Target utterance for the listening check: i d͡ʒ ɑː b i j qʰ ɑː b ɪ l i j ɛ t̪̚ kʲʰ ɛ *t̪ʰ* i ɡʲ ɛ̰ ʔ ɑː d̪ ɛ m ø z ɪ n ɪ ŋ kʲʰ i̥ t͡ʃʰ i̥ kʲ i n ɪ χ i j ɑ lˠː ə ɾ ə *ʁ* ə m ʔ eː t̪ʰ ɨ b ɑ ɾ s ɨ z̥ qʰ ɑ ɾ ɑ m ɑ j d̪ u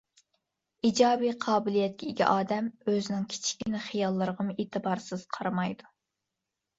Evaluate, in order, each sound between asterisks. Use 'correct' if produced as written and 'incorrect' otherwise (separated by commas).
incorrect, correct